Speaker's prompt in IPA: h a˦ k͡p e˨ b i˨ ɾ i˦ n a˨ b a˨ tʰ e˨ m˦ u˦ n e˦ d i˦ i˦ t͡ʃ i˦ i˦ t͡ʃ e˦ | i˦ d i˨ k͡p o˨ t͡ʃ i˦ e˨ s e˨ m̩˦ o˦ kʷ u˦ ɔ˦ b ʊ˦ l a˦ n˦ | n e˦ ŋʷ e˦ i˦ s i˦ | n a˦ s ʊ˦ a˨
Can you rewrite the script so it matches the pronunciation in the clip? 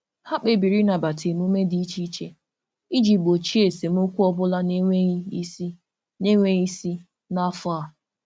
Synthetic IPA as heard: h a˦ k͡p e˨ b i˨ ɾ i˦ n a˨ b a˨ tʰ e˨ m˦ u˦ m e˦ d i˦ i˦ t͡ʃ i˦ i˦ t͡ʃ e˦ | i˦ d͡ʒ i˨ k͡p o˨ t͡ʃ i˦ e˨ s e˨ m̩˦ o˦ kʷ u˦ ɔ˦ b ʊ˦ l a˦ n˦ | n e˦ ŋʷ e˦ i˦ s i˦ | n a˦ f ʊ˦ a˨

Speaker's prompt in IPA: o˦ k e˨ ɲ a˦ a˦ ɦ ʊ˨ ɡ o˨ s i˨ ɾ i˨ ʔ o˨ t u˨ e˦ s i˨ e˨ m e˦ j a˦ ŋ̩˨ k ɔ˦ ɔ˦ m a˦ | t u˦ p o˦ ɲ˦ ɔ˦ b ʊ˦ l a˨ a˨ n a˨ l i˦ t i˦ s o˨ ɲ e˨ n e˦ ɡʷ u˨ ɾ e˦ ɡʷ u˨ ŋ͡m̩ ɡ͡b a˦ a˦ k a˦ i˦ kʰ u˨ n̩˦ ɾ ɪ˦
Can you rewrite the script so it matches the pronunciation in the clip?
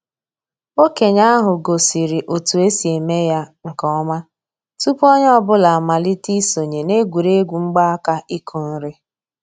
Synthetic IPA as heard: o˦ k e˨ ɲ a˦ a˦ ɦ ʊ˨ ɡ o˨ s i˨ ɾ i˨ ʔ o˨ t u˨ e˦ s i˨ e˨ m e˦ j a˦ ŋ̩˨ k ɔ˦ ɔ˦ m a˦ | t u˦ p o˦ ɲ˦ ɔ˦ b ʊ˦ l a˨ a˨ m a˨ l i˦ t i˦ s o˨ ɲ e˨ n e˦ ɡʷ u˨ ɾ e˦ ɡʷ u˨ ŋ͡m̩ ɡ͡b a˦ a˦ k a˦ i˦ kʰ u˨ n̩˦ ɾ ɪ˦

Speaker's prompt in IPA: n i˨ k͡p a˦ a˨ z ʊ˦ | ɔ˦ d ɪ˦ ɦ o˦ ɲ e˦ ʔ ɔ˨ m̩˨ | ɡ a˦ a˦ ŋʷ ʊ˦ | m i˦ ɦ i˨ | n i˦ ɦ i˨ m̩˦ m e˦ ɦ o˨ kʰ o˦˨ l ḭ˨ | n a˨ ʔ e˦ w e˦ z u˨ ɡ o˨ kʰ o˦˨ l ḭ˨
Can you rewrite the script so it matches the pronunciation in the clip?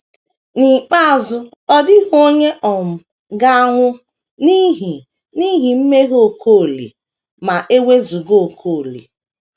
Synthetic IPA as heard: n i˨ k͡p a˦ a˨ z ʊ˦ | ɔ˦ d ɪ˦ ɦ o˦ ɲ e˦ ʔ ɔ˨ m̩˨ | ɡ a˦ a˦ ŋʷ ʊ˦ | n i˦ ɦ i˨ | n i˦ ɦ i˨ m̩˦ m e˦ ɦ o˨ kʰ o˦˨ l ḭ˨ | m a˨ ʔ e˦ w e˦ z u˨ ɡ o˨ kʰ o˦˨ l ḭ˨

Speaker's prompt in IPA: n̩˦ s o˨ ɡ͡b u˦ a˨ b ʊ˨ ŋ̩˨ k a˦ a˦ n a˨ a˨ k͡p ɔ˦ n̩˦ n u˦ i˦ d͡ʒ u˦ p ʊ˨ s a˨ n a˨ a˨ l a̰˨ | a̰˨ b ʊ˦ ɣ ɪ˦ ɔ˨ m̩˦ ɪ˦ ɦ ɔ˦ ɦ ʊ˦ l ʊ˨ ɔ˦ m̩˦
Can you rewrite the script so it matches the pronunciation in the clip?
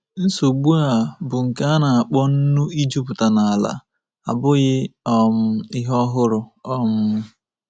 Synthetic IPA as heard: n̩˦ s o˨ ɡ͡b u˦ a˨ b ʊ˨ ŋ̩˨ k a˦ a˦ n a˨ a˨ k͡p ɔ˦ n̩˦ n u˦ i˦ d͡ʒ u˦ p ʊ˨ t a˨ n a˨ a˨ l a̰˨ | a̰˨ b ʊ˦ ɣ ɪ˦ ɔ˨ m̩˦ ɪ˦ ɦ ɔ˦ ɦ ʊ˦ ɾ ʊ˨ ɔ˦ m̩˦

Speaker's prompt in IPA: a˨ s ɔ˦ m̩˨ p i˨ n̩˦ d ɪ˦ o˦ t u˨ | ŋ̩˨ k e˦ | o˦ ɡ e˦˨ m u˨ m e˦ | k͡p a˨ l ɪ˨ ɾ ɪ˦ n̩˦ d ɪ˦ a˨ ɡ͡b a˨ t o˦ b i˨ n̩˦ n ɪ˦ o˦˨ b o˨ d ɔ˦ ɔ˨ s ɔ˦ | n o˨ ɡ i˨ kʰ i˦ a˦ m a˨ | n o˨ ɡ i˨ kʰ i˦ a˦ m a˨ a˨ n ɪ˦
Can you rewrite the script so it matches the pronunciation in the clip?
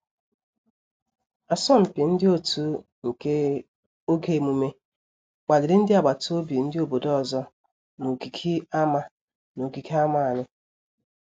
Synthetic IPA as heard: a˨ s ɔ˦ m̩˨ p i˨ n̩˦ d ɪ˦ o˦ t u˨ | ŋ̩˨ k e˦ | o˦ ɡ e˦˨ m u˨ m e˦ | k͡p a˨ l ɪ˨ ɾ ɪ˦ n̩˦ d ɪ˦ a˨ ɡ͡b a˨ t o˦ b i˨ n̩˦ d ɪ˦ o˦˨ b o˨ d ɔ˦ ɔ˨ z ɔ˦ | n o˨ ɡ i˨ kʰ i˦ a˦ m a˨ | n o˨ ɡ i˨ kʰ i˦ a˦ m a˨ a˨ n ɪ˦

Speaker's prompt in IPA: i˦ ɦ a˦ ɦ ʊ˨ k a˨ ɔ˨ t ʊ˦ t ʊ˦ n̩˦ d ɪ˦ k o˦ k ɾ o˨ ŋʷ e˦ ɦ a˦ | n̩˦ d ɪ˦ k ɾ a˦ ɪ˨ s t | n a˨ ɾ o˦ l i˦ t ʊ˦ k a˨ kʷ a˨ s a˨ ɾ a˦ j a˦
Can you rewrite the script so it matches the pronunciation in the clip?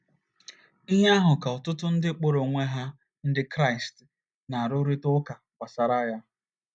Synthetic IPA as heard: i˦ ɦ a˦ ɦ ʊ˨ k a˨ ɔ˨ t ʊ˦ t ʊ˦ n̩˦ d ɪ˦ k͡p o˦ ɾ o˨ ŋʷ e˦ ɦ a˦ | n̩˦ d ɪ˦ k ɾ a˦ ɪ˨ s t | n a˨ ɾ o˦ ɾ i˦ t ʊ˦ k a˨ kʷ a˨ s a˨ ɾ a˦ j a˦

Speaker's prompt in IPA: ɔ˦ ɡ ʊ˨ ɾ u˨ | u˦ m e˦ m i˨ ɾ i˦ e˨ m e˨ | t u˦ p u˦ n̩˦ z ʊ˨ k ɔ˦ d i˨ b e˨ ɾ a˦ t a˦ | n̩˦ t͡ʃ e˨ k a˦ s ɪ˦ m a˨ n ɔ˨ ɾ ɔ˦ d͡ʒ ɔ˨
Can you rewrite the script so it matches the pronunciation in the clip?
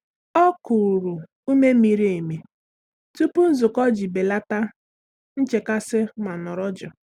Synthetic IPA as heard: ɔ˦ k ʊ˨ ɾ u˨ | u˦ m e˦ m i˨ ɾ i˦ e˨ m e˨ | t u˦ p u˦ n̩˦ z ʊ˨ k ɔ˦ d͡ʒ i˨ b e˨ l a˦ t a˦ | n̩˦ t͡ʃ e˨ k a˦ s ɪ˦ m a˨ n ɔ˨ ɾ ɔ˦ d͡ʒ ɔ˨

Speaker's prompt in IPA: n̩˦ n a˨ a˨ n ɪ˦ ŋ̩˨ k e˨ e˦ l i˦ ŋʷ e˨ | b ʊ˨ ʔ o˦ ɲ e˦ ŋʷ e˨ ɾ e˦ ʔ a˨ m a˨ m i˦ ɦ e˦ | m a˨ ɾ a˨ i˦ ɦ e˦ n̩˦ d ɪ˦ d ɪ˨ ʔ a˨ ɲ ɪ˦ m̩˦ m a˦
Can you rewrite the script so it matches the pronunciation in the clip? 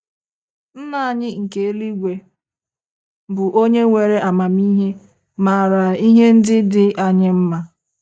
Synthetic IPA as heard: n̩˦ n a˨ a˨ ɲ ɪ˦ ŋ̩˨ k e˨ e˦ l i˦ ɡʷ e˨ | b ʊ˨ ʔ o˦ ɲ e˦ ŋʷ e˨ ɾ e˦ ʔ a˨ m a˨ m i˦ ɦ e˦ | m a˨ ɾ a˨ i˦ ɦ e˦ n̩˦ d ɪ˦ d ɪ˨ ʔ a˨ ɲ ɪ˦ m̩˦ m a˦

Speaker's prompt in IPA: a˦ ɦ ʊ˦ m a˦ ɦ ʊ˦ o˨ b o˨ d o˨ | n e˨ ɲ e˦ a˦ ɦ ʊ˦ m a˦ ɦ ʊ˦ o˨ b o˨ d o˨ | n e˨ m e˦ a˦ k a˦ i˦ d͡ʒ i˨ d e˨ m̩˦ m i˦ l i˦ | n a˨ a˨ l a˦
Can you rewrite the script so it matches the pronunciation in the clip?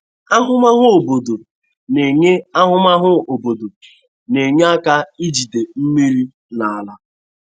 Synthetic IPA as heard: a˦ ɦ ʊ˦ m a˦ ɦ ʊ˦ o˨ b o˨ d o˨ | n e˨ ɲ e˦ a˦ ɦ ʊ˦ m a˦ ɦ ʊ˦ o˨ b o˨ d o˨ | n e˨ ɲ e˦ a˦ k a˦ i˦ d͡ʒ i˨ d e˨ m̩˦ m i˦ ɾ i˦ | n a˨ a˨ l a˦

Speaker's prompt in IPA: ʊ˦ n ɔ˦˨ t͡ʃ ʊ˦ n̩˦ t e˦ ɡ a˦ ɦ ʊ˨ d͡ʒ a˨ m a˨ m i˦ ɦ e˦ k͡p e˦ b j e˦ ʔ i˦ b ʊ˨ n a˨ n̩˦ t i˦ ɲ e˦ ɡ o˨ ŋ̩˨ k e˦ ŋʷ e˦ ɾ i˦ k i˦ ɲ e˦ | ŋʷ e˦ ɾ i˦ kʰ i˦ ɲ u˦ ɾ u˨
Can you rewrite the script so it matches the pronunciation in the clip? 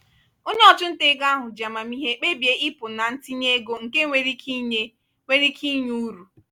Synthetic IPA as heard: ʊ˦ n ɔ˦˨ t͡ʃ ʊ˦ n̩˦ t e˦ ɡ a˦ ɦ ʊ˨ d͡ʒ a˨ m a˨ m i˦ ɦ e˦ k͡p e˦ b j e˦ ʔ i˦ p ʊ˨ n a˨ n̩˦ t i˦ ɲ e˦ ɡ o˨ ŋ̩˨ k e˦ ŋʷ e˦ ɾ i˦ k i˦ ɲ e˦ | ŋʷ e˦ ɾ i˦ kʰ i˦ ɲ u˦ ɾ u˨

